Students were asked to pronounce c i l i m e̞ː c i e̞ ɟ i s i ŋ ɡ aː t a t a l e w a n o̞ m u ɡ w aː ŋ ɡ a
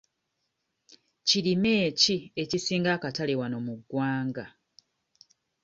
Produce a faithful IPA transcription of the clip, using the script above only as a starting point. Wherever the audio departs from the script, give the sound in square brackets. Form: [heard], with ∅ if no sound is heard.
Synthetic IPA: c i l i m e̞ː c i e̞ [c] i s [iː] ŋ ɡ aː [k] a t a l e w a n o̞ m u ɡ w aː ŋ ɡ a